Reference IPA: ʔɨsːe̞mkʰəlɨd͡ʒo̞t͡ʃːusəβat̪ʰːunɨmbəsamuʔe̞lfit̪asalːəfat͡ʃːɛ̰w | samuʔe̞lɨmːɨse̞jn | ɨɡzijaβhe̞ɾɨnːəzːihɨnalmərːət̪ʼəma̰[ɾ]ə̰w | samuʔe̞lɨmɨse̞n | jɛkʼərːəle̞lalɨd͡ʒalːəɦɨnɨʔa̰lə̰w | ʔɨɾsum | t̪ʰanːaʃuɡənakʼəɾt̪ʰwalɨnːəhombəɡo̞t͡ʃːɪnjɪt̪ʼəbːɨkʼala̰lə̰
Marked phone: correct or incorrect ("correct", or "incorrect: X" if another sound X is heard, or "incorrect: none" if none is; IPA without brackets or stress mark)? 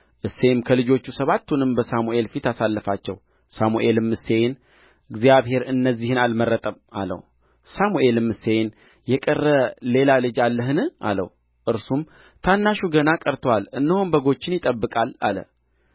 incorrect: l